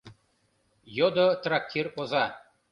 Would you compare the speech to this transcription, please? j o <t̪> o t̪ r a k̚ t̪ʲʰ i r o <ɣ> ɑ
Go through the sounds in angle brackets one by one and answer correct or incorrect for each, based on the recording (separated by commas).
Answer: incorrect, incorrect